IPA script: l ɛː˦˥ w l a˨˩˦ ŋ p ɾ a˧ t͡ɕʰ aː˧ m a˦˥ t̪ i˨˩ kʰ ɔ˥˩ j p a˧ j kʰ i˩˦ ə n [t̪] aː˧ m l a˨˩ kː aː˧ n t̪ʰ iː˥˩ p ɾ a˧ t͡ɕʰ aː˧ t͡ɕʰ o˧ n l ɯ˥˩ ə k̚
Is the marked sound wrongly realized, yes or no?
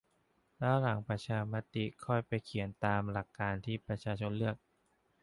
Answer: no